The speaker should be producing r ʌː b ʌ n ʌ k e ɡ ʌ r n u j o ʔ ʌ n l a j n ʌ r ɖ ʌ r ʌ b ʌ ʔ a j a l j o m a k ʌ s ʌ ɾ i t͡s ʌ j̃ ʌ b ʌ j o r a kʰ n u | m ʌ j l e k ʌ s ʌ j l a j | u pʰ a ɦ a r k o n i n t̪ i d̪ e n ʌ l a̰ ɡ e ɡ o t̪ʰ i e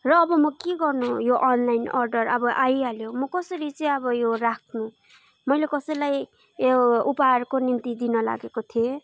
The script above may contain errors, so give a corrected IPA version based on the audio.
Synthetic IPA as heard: r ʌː b ʌ m ʌ k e ɡ ʌ r n u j o ʔ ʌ n l a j n ʌ r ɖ ʌ r ʌ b ʌ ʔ a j a l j o m ʌ k ʌ s ʌ ɾ i t͡s ʌ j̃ ʌ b ʌ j o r a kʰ n u | m ʌ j l e k ʌ s ʌ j l a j | u p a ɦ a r k o n i n t̪ i d̪ i n ʌ l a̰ ɡ e k o t̪ʰ i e